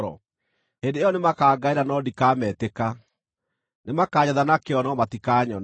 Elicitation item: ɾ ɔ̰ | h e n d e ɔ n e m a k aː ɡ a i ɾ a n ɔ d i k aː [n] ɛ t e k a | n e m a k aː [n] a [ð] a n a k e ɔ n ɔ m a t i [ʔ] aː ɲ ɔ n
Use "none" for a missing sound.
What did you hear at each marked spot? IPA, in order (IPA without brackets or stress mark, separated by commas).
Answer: m, ɲ, ð, k